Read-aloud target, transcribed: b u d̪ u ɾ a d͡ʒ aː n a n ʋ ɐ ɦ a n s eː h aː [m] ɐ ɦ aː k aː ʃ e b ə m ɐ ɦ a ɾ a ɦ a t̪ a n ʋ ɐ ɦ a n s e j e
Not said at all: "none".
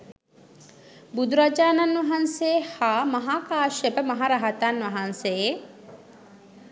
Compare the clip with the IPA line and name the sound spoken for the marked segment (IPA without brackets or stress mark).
m